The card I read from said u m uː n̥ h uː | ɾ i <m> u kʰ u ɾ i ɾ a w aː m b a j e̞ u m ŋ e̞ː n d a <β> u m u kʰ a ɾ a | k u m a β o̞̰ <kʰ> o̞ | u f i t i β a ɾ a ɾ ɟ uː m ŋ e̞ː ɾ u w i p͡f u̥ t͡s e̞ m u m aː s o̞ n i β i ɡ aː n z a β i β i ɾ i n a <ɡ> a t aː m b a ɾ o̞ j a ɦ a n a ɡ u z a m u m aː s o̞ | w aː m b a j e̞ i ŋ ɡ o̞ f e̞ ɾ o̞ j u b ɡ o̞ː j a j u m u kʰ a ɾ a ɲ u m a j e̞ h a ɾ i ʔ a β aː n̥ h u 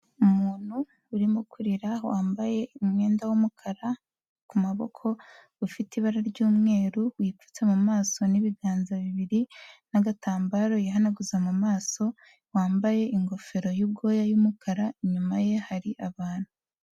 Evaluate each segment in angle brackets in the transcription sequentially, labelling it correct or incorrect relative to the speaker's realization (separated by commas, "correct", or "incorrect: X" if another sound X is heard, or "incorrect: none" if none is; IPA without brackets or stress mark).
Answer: correct, incorrect: w, correct, correct